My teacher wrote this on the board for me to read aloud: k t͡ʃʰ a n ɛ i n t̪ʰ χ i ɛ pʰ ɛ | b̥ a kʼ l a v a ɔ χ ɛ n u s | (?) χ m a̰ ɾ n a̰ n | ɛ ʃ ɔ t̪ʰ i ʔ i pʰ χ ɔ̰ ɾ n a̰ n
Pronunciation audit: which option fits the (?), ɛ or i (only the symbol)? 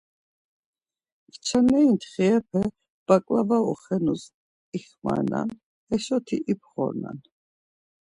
i